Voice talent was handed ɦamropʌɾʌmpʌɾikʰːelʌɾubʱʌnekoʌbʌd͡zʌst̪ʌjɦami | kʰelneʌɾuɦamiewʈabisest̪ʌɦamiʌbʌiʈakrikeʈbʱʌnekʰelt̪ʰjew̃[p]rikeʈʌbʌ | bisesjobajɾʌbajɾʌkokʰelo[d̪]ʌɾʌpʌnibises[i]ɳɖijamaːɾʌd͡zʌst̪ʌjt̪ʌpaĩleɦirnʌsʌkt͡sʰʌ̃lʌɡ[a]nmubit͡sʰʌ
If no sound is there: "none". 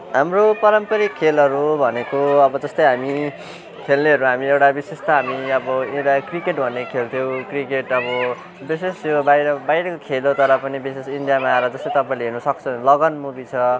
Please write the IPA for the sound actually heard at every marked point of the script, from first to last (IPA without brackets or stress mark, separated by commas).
k, t̪, i, ʌ